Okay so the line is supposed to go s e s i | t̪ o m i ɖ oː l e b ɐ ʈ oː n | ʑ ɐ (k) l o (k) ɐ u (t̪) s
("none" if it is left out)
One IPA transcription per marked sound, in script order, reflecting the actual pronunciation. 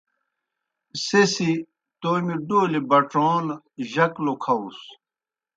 k, kʰ, none

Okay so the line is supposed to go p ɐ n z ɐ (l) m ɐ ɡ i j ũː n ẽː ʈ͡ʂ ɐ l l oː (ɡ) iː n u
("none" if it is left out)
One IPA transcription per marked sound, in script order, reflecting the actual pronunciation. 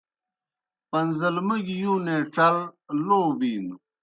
l, b

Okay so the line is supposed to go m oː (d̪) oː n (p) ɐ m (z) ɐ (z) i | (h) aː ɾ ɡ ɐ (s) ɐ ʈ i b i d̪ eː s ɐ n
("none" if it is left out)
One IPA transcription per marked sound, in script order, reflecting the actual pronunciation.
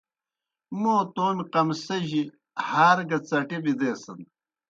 t̪, q, s, ʑ, h, t͡s

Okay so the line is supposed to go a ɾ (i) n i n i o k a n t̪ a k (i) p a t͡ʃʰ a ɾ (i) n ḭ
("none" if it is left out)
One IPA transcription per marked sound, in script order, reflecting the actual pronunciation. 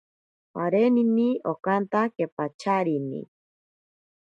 e, e, i

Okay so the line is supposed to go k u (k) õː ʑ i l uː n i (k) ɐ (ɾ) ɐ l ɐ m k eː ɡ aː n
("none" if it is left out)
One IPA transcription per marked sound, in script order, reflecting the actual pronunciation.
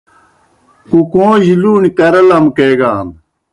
k, k, ɾ

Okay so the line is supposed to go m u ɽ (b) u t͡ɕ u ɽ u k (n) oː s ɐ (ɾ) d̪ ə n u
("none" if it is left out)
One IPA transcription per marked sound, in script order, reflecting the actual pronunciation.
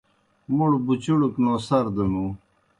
b, n, ɾ

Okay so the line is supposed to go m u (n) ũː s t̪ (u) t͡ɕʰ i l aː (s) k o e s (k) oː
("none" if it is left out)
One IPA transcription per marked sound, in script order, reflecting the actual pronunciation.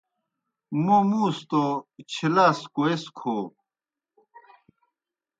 m, o, s, kʰ

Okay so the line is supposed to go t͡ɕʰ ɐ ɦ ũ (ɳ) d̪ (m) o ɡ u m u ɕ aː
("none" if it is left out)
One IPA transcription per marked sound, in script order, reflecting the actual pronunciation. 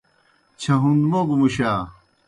n, m

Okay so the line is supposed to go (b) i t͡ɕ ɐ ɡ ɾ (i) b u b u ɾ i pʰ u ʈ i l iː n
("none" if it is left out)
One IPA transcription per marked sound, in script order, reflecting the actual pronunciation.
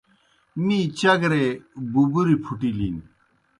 m, e

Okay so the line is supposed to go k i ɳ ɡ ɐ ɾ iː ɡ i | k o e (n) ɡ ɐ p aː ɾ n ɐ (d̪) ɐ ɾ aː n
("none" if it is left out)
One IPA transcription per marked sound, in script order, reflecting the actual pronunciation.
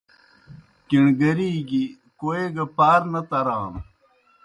none, t̪

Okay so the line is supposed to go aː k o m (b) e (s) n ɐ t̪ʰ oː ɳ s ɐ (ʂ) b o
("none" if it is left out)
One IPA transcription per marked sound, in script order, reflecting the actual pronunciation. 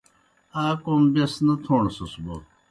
b, s, s

